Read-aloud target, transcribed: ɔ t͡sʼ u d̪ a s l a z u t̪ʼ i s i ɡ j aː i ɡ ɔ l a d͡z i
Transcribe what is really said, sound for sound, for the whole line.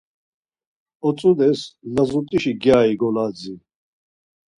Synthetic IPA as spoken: ɔ t͡sʼ u d̪ ɛ s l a z u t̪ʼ i ʃ i ɡ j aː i ɡ ɔ l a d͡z i